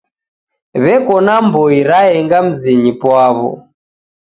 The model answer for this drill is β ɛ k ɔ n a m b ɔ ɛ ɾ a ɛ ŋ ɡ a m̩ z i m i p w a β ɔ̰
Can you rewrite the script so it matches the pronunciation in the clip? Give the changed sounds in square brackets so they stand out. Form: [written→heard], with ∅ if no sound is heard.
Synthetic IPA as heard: β ɛ k ɔ n a m b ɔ [ɛ→i] ɾ a ɛ ŋ ɡ a m̩ z i [m→ɲ] i p w a β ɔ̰

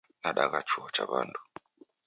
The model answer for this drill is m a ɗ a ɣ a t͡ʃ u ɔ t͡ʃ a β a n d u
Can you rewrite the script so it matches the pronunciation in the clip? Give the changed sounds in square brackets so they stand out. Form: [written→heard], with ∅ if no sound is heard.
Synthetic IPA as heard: [m→n] a ɗ a ɣ a t͡ʃ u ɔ t͡ʃ a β a n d u

